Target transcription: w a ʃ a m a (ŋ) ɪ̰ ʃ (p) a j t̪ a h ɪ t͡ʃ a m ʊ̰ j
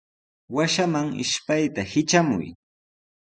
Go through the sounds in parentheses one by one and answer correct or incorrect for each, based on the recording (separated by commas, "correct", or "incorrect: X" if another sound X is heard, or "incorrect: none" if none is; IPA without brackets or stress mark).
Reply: correct, correct